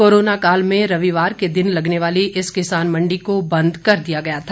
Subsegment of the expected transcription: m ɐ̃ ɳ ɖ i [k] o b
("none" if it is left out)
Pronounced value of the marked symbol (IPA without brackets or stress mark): k